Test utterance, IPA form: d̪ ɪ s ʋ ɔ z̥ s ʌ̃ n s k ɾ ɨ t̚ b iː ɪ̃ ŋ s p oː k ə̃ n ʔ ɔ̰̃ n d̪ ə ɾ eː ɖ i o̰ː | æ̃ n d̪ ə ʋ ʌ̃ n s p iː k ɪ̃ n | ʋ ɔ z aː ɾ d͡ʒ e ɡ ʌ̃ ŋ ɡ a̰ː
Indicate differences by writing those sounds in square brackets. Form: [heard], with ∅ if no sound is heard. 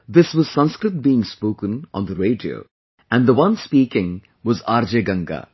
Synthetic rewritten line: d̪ ɪ s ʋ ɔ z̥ s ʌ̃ n s k ɾ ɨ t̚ b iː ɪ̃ ŋ s p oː k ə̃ n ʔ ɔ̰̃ n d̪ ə ɾ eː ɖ i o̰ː | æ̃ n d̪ ə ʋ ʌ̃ n s p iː k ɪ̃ [ŋ] | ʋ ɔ z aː ɾ d͡ʒ e ɡ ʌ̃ ŋ ɡ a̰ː